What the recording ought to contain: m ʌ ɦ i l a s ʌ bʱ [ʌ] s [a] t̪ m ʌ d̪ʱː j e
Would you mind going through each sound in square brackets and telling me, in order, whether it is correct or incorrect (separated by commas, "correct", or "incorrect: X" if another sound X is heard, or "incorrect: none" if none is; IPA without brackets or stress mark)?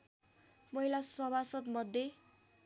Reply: incorrect: a, incorrect: ʌ